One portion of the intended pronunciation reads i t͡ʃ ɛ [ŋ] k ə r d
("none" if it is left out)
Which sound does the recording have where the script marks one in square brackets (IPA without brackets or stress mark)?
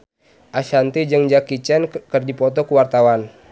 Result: n